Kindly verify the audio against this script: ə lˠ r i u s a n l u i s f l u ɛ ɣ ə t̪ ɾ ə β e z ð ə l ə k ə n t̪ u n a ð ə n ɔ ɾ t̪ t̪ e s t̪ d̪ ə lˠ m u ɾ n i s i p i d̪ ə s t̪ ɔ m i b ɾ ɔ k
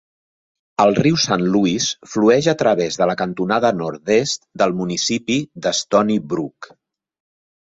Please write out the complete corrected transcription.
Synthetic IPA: ə lˠ r i w s a n l u i s f l u ɛ ʒ ə t̪ ɾ ə β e z ð ə l ə k ə n t̪ u n a ð ə n ɔ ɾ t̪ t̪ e s t̪ d̪ ə lˠ m u n i s i p i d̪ ə s t̪ ɔ n i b ɾ u k